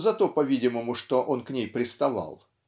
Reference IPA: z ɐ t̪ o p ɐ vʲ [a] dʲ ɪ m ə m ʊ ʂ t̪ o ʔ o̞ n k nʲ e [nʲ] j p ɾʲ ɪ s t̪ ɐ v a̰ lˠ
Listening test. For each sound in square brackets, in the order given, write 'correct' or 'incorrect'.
incorrect, incorrect

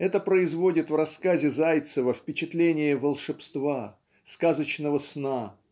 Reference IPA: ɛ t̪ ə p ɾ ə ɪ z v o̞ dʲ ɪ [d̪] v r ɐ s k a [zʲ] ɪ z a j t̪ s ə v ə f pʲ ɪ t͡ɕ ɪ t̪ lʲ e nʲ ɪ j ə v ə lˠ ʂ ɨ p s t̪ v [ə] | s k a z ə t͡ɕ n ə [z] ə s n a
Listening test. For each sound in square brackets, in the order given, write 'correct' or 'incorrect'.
incorrect, correct, incorrect, incorrect

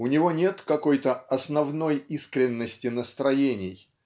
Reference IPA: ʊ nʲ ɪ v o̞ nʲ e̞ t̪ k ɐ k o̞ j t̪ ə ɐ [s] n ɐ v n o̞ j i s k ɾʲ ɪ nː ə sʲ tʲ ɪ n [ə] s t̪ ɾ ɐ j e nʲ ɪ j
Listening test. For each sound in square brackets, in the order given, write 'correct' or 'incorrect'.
correct, correct

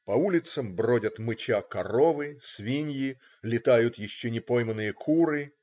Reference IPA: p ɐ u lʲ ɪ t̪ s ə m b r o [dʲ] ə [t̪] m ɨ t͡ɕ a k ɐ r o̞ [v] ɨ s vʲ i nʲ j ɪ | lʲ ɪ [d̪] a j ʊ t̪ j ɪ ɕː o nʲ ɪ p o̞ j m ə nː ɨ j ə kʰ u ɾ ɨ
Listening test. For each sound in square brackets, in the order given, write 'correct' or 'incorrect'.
correct, correct, correct, incorrect

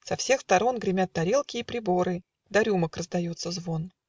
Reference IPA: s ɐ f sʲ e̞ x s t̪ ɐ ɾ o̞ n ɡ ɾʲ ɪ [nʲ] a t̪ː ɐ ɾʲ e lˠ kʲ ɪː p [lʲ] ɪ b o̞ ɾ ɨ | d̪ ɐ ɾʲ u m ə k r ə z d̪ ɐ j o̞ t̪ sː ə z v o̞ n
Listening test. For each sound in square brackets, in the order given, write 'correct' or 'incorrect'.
incorrect, incorrect

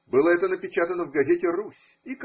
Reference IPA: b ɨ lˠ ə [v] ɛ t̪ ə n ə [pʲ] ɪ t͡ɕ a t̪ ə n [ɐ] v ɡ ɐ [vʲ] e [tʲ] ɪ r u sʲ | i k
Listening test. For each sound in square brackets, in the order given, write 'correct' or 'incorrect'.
incorrect, correct, incorrect, incorrect, correct

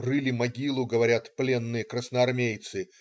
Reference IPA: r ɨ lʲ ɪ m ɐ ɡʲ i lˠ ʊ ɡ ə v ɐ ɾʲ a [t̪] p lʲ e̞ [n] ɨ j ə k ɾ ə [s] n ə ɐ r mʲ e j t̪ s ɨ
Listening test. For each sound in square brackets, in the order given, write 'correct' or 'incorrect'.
correct, incorrect, correct

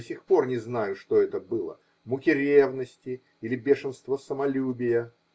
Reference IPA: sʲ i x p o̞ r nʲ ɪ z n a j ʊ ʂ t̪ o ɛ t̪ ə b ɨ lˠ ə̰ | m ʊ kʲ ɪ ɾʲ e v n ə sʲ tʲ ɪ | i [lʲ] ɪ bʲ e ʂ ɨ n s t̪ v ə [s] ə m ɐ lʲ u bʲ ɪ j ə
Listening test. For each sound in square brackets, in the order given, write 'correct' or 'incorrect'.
correct, correct

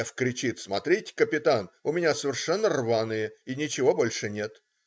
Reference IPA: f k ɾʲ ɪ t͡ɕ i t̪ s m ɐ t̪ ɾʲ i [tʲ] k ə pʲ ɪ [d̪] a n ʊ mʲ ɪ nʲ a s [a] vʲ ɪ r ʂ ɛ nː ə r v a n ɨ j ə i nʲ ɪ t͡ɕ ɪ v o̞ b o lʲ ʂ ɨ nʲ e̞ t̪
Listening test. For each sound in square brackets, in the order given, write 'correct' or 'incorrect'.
correct, incorrect, incorrect

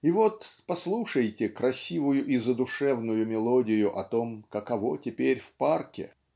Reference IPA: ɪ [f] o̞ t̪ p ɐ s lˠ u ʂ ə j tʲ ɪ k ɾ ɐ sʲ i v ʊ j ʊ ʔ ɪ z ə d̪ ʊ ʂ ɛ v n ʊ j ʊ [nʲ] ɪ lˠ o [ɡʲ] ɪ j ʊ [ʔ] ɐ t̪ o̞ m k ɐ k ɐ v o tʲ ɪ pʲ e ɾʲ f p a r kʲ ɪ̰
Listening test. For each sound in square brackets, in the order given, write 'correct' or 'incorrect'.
incorrect, incorrect, incorrect, correct

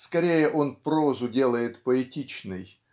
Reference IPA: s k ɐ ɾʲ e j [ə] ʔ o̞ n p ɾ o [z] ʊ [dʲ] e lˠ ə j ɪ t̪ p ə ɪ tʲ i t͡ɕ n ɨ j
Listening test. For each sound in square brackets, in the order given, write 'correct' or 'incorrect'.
correct, correct, correct

